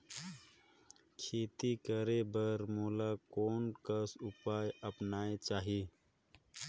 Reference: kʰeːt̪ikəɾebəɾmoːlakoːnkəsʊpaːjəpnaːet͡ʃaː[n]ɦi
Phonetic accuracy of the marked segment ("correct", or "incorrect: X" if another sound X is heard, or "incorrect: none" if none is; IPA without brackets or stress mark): incorrect: none